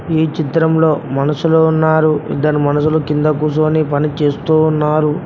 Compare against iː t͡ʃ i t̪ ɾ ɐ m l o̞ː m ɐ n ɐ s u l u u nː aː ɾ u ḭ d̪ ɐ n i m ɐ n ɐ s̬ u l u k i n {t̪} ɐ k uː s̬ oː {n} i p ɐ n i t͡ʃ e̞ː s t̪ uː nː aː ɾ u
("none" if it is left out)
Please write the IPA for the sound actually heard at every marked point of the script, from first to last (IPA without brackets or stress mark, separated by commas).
d̪, n